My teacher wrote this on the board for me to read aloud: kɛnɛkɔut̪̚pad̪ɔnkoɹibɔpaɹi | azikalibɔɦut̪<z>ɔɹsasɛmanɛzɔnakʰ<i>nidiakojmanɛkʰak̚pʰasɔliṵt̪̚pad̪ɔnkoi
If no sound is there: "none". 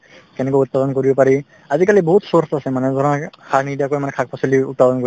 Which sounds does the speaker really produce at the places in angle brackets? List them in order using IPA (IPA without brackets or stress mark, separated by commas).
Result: s, a